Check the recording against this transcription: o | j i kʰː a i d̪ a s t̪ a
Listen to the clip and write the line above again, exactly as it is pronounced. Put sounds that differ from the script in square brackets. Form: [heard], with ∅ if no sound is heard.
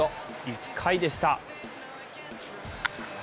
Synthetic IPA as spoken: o | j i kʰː a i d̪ [e] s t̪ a